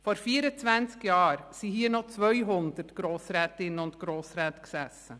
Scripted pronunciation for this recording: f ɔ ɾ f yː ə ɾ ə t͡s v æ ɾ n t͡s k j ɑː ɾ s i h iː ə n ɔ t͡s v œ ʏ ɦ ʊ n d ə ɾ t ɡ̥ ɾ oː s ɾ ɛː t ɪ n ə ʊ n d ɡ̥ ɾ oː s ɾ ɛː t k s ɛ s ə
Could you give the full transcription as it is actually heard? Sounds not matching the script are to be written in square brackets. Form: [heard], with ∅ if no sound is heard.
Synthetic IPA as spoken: f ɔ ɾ f [iː] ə ɾ ə t͡s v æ [∅] n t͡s k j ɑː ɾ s i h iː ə n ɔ t͡s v œ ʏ ɦ ʊ n d ə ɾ t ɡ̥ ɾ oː s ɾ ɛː t ɪ n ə ʊ n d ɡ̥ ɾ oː s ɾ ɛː t k s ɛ s ə